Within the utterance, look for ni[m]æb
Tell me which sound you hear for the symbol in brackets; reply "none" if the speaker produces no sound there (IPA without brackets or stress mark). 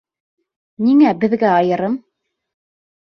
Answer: ŋ